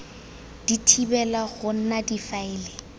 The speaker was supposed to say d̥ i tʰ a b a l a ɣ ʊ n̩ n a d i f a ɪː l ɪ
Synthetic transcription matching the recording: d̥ i tʰ i b ɛ l a ɣ ʊ n̩ n a d i f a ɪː l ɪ